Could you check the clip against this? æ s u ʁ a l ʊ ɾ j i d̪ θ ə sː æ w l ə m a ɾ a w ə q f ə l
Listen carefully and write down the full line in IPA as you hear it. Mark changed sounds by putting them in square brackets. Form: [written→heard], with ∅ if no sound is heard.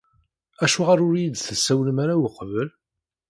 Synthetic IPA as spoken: æ [s→ʃ] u ʁ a [l→ɾ] ʊ ɾ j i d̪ θ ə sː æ w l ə m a ɾ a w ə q [f→v] ə l